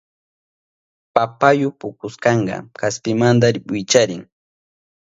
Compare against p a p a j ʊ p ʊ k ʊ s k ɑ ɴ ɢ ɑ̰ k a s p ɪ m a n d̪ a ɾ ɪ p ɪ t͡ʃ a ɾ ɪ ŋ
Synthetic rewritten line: p a p a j ʊ p ʊ k ʊ s k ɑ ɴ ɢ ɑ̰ k a s p ɪ m a n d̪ a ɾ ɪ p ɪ t͡ʃ a ɾ ɪ ŋ